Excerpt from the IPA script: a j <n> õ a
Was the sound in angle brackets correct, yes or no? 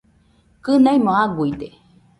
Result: no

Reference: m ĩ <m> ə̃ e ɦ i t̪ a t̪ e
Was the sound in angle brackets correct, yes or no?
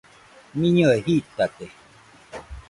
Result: no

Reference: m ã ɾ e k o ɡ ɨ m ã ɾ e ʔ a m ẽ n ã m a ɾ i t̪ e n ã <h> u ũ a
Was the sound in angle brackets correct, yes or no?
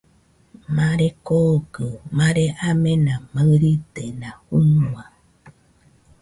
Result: yes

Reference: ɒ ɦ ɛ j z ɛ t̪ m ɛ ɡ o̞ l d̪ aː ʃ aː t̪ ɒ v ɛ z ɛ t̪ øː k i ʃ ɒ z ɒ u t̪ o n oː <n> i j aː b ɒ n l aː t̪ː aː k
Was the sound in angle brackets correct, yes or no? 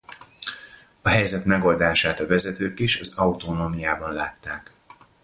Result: no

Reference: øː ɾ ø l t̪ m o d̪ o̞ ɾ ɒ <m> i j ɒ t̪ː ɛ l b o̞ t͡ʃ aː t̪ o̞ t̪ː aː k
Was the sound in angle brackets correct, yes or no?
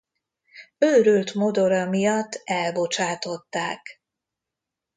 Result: yes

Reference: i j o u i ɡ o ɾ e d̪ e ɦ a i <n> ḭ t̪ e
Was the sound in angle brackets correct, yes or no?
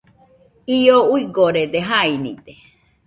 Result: yes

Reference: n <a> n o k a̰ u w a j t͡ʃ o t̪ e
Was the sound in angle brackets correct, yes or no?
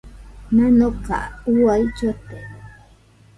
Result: yes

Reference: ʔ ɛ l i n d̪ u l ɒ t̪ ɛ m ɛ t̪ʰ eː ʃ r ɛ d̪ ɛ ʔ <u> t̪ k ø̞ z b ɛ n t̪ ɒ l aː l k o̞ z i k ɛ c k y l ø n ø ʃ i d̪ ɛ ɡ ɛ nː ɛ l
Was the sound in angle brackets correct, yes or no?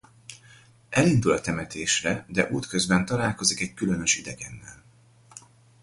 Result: no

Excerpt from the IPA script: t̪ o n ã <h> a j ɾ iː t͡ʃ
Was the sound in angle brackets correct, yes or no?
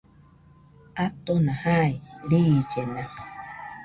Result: yes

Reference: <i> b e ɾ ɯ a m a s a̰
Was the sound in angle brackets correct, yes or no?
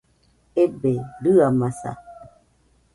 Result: no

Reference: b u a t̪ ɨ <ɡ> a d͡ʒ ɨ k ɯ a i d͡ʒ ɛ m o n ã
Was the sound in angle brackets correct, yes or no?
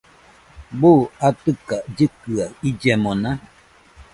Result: no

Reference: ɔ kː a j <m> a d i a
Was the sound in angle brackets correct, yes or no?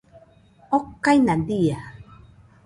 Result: no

